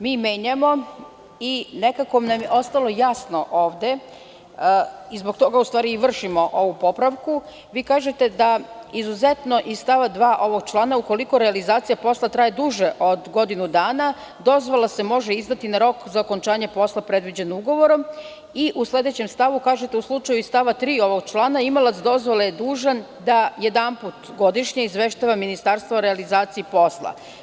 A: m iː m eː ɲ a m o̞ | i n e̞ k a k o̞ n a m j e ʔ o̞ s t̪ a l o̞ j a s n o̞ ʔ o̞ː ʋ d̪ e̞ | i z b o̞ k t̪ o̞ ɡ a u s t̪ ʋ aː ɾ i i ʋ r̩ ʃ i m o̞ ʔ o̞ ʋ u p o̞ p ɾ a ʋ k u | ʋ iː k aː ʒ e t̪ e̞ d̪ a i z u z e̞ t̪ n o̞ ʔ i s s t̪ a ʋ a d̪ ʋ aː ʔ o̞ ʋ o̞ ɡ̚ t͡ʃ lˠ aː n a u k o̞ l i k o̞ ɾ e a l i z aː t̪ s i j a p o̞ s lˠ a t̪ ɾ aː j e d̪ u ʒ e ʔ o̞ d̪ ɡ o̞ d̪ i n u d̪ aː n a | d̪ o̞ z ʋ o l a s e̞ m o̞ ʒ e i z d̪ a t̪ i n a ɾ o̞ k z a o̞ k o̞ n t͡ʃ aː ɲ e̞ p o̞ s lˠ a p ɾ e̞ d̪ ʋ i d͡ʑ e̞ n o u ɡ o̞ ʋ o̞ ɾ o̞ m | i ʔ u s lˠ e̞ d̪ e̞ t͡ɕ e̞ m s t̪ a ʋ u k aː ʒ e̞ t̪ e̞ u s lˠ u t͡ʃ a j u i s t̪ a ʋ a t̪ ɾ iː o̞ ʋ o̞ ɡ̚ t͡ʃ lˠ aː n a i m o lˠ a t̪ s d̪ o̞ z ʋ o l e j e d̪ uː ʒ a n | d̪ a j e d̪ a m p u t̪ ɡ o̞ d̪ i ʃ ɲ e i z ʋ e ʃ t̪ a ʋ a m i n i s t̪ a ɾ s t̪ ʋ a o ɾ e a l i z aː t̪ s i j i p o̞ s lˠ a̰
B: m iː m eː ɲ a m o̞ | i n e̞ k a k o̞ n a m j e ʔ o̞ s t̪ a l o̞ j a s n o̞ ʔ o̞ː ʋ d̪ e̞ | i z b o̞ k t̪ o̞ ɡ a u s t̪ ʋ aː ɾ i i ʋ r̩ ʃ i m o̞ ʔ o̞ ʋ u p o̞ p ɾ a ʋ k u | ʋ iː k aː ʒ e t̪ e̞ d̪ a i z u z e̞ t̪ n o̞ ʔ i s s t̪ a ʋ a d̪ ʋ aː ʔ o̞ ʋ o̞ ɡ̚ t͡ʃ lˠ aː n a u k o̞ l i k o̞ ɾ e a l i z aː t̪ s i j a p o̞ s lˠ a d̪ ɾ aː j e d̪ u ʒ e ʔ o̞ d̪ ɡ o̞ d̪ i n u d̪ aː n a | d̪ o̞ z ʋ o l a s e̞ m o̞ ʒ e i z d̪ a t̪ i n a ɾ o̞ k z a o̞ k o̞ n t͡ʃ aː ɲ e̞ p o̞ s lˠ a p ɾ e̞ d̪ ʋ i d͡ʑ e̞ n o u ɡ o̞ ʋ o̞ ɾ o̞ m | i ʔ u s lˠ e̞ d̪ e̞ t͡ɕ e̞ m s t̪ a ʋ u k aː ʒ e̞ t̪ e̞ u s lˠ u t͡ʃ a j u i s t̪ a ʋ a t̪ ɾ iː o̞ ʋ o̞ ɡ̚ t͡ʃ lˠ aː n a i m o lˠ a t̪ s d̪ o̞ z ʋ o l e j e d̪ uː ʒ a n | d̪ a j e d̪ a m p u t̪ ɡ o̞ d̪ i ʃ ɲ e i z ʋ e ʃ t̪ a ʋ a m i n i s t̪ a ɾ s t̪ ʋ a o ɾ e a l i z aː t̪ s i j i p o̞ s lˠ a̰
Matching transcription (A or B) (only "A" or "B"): A